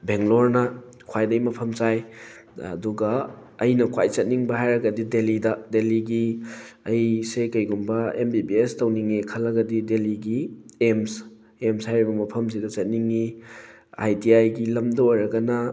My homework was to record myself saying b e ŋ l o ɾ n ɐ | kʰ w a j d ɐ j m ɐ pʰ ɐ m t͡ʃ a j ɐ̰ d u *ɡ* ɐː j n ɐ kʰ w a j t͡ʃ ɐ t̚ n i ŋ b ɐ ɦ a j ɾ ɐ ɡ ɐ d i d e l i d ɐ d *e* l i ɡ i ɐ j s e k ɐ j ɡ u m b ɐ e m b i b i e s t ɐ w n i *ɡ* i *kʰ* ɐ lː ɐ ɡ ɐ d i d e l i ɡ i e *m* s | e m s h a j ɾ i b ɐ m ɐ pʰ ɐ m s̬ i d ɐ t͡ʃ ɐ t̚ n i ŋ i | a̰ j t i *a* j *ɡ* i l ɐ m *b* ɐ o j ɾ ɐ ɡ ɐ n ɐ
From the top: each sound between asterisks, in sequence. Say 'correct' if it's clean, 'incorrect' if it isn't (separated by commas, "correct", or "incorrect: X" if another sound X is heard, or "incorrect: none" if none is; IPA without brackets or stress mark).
correct, correct, incorrect: ŋ, correct, correct, correct, correct, incorrect: d